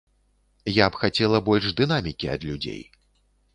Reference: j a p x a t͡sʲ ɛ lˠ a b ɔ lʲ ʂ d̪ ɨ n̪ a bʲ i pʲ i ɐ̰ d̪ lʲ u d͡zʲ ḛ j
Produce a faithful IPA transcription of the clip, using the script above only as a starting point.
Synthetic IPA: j a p x a t͡sʲ ɛ lˠ ɐ b ɔ lʲ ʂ d̪ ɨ n̪ a mʲ i kʲ i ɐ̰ d̪ lʲ u d͡zʲ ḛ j